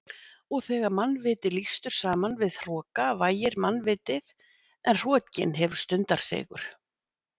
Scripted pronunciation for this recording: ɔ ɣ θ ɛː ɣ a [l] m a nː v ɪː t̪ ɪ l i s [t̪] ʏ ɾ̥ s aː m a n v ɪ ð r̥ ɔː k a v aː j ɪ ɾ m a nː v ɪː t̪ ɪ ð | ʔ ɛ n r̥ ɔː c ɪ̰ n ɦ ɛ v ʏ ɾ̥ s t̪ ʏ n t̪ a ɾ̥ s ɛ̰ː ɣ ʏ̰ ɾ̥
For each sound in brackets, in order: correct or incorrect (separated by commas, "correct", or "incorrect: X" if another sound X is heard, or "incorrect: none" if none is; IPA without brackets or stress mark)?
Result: incorrect: ɾ, correct